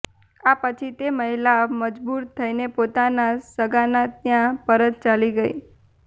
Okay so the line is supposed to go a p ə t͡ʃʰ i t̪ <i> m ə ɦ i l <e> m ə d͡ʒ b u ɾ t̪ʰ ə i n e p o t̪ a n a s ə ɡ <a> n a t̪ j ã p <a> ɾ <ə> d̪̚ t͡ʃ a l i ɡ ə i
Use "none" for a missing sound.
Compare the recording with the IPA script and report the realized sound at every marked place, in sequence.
e, a, a, ə, ə

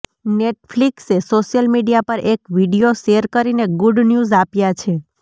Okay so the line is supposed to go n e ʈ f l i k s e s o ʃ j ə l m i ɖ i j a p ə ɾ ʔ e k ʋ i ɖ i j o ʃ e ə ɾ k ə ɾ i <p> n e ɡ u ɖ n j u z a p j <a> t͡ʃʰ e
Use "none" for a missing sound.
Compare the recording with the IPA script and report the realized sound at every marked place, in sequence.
none, a

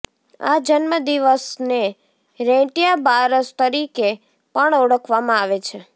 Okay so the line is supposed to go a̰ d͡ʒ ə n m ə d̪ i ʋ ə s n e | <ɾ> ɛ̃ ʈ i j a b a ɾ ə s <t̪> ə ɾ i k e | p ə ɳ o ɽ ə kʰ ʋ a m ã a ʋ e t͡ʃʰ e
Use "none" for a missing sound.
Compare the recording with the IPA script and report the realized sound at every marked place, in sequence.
ɾ, t̪

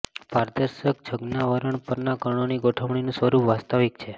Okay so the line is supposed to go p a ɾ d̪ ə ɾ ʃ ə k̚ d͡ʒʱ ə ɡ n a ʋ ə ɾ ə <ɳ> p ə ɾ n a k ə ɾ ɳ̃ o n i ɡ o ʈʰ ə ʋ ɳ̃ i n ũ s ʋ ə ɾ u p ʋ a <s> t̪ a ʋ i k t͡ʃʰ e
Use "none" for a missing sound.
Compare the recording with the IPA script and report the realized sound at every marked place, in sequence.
ɳ, s

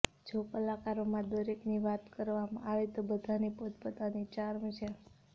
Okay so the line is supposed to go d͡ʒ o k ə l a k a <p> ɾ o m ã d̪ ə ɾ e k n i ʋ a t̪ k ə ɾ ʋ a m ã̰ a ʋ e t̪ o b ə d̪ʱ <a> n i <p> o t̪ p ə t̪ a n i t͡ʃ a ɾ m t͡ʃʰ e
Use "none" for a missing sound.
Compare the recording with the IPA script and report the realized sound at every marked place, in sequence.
none, a, p

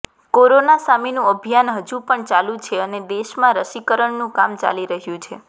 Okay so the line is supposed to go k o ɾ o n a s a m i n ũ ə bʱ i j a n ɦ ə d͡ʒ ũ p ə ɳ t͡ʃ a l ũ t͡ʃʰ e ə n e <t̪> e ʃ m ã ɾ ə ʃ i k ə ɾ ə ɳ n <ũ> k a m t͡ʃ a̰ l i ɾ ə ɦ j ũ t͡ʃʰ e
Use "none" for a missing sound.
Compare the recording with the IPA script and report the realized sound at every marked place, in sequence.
d̪, ũ

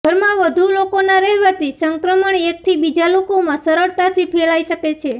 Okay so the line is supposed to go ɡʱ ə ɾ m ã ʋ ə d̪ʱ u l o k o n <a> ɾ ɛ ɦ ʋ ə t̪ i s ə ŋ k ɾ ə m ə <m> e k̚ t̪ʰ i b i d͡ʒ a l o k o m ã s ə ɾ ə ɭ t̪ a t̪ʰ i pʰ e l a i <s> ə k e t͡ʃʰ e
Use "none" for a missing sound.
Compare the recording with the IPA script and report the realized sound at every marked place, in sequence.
a, ɳ, ʃ

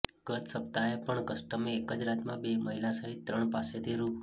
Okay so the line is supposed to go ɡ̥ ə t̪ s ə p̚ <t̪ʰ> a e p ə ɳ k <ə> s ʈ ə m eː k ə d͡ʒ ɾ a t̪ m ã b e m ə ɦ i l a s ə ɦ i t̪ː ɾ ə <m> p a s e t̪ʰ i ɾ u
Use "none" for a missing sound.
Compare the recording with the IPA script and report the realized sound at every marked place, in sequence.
t̪, ə, ɳ

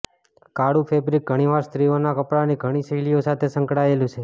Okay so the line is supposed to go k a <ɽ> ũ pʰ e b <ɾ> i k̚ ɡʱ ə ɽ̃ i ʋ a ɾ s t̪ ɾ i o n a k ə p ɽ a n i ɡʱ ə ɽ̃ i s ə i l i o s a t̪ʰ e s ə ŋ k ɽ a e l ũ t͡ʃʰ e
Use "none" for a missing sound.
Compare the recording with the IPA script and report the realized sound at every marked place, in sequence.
ɽ, ɾ

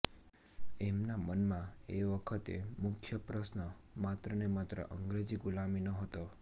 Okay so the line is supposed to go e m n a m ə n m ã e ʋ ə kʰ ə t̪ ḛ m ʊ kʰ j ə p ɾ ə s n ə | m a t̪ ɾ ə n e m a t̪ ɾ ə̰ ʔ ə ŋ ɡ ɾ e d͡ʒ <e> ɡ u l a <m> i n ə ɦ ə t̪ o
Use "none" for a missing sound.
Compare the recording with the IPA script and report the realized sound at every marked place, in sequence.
i, m

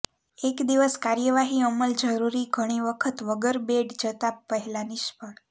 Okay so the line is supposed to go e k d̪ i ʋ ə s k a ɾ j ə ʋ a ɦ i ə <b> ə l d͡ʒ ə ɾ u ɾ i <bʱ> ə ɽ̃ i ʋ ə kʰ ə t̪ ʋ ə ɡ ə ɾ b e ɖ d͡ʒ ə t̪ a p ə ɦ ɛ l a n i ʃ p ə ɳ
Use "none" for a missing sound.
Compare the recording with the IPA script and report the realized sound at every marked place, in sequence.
m, ɡʱ

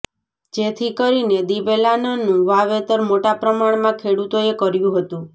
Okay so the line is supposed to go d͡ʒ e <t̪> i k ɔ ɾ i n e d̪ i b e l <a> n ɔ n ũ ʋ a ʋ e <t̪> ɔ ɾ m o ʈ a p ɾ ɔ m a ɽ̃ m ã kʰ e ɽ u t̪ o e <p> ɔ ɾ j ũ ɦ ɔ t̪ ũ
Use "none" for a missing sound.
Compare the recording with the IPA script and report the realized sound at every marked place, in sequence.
t̪ʰ, a, t̪, k

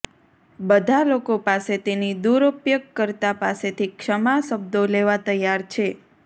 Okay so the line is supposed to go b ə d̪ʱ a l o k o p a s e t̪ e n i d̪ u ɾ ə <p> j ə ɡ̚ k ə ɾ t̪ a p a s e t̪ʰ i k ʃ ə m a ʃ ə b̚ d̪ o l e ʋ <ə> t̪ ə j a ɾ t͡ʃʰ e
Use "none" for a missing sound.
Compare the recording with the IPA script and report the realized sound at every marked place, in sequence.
p, a

